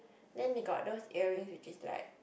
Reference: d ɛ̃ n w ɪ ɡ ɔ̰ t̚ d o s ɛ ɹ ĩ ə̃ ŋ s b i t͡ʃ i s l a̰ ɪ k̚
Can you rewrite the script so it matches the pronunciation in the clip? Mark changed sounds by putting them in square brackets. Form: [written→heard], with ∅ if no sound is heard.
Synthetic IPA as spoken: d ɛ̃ n w [ɪ→i] ɡ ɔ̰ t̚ d o s ɛ ɹ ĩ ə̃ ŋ s [b→w] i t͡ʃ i s l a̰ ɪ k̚